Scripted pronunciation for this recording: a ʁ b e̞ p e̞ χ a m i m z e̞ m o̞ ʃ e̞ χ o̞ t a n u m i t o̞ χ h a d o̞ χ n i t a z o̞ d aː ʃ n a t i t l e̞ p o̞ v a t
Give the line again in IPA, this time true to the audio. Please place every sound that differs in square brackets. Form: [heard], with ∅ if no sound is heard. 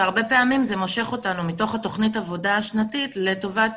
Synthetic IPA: a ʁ b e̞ p e̞ [∅] a m i m z e̞ m o̞ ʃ e̞ χ o̞ t a n u m i t o̞ χ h a [t] o̞ χ n i t a [v] o̞ d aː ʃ n a t i t l e̞ [t] o̞ v a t

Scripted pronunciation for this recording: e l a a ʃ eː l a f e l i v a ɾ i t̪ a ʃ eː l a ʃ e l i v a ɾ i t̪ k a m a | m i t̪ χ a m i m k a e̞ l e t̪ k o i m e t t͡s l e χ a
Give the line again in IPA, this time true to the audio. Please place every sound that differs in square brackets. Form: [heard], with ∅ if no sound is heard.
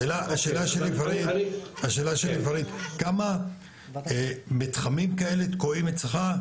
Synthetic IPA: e l a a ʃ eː l a [ʃ] e l i v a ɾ i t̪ a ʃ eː l a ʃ e l i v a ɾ i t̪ k a m a | m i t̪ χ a m i m k a e̞ l e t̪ k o i m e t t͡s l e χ a

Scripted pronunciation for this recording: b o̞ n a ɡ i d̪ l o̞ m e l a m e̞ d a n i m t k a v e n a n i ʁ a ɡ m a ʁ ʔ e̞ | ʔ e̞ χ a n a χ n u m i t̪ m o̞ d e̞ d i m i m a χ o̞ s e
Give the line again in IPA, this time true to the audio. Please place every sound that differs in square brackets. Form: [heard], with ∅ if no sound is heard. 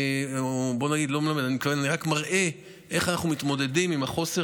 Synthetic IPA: b o̞ n a ɡ i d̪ l o̞ m e l a m e̞ d a n i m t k a v e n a n i ʁ a [k] m a ʁ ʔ e̞ | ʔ e̞ χ a n a χ n u m i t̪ m o̞ d e̞ d i m i m a χ o̞ s e

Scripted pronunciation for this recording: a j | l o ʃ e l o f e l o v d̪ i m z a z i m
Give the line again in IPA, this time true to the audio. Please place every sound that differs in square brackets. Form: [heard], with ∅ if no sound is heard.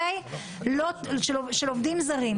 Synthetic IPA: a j | l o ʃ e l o [ʃ] e l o v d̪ i m z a [ʁ] i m

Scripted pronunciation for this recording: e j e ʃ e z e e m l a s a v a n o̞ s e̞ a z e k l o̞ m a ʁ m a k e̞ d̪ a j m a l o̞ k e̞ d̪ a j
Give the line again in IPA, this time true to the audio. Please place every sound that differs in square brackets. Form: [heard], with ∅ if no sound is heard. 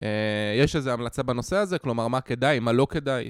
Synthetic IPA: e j e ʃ e z e [a] m l a [t͡s] a [b] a n o̞ s e̞ a z e k l o̞ m a ʁ m a k e̞ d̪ a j m a l o̞ k e̞ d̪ a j

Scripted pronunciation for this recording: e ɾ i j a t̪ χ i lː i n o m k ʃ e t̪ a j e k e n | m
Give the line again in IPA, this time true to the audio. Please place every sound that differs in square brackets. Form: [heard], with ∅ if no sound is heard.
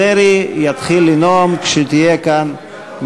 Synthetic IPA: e ɾ i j a t̪ χ i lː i n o m k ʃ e t̪ [i] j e k [a] n | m

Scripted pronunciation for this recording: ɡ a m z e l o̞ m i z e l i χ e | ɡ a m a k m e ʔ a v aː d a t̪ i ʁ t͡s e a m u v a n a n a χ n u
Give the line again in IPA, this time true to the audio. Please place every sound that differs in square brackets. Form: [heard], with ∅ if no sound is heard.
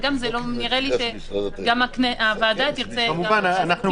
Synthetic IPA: ɡ a m z e l o̞ [n] i [ʁ] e l i [ʃ] e | ɡ a m a k [n] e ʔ a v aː d a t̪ i ʁ t͡s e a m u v a n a n a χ n u

